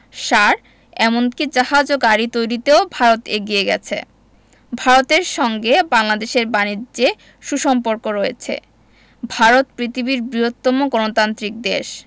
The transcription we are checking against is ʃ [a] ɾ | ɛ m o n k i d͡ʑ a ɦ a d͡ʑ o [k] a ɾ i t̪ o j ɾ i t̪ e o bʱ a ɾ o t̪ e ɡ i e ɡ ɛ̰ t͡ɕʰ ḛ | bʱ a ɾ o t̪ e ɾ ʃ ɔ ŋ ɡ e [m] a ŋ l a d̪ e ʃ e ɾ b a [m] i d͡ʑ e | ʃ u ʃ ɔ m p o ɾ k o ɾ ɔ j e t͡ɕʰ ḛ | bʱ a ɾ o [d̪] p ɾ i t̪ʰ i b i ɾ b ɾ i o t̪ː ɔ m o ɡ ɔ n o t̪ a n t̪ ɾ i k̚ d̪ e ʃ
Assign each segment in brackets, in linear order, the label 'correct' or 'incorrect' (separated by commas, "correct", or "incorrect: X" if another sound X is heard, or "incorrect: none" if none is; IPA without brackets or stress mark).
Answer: correct, incorrect: ɡ, incorrect: b, incorrect: n, incorrect: t̪